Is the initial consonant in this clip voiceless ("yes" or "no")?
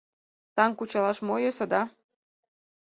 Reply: yes